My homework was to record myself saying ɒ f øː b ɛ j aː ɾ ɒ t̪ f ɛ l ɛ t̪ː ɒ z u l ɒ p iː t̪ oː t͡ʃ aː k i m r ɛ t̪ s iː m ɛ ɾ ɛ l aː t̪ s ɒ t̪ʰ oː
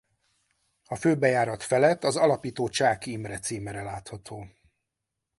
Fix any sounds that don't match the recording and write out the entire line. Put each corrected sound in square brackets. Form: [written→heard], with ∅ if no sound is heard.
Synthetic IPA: ɒ f øː b ɛ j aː ɾ ɒ t̪ f ɛ l ɛ t̪ː ɒ z [u→ɒ] l ɒ p iː t̪ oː t͡ʃ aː k i m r ɛ t̪ s iː m ɛ ɾ ɛ l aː t̪ [s→h] ɒ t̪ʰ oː